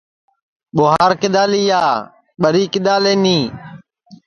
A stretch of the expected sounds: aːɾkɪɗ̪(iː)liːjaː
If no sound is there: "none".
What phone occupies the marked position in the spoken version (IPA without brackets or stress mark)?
aː